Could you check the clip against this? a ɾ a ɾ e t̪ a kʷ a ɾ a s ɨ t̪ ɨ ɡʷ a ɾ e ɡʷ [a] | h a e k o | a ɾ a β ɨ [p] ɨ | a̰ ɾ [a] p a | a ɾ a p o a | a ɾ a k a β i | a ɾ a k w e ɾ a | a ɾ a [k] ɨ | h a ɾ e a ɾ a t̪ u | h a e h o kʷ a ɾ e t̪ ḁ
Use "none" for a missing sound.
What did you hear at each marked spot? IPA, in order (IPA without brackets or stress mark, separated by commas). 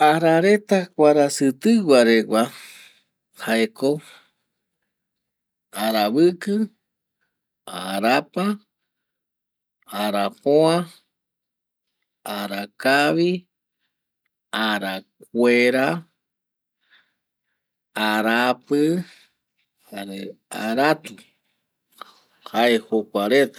a, k, a, p